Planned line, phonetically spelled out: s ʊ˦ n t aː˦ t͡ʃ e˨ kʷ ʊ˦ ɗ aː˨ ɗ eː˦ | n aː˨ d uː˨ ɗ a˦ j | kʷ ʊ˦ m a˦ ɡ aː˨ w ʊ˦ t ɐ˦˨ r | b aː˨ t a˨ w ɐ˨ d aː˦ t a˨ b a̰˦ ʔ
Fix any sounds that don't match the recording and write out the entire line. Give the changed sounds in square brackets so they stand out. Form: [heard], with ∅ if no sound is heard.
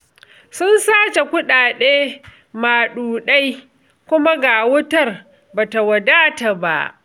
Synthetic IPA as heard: s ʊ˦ n [s] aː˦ t͡ʃ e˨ kʷ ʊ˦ ɗ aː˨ ɗ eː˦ | [m] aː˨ [ɗ] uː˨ ɗ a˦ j | kʷ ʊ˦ m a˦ ɡ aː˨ w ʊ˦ t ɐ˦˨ r | b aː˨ t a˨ w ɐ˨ d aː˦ t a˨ b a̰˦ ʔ